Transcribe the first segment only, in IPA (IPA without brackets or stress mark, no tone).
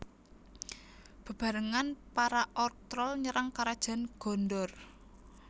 b̥